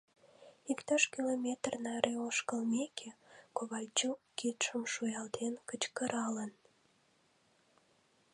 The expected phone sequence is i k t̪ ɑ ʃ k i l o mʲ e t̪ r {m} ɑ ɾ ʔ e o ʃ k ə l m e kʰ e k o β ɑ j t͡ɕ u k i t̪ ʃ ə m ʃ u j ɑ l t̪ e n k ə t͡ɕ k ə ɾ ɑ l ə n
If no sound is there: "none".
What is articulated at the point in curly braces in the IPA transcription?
n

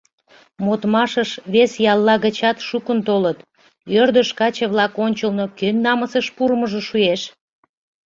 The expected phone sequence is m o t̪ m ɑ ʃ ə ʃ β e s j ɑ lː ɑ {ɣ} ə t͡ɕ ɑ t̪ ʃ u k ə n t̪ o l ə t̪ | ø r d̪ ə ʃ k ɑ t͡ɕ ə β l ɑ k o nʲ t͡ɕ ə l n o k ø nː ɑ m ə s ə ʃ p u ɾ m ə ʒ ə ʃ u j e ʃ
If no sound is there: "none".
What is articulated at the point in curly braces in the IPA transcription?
ɣ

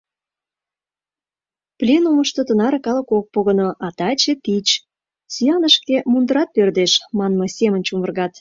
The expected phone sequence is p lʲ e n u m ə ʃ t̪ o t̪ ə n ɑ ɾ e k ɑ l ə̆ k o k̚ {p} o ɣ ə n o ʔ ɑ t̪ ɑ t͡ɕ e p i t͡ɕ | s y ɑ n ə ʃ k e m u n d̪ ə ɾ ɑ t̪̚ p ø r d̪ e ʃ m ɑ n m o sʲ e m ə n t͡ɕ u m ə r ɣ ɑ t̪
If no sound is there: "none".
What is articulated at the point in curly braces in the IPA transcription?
p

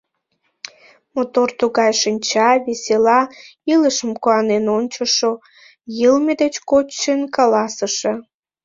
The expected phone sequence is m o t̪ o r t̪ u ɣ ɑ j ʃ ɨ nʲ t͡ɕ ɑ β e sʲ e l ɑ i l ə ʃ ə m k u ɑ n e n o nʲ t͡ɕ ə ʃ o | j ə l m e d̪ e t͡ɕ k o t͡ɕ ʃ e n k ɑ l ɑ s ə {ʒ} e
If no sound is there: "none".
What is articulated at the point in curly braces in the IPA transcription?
ʃ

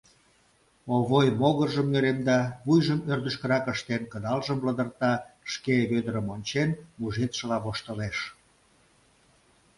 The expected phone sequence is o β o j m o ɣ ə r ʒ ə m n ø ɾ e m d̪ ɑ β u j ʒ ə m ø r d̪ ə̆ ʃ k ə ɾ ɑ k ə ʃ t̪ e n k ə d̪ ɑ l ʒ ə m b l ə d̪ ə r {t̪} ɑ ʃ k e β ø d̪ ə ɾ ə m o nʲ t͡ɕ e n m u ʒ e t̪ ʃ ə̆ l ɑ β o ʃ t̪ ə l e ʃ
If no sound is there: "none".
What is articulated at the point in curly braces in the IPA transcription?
t̪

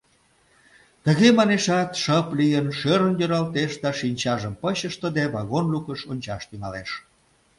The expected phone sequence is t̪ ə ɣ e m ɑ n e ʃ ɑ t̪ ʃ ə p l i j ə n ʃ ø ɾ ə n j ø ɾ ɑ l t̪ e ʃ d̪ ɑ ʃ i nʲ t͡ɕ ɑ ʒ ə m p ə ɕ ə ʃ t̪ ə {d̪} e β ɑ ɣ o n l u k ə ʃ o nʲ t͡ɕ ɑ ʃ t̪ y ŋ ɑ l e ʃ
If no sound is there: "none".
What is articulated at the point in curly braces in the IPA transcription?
d̪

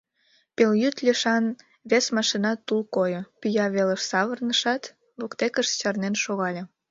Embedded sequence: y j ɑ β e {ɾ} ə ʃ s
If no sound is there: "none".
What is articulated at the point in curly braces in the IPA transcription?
l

